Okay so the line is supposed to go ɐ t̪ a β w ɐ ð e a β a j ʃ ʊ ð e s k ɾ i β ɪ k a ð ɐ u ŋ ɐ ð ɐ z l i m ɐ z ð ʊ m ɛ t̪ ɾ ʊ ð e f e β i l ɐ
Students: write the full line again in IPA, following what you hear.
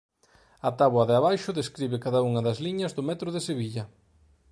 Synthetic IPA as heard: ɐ t̪ a β w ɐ ð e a β a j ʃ ʊ ð e s k ɾ i β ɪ k a ð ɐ u ŋ ɐ ð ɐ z l i ɲ ɐ z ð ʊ m ɛ t̪ ɾ ʊ ð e s e β i ʎ ɐ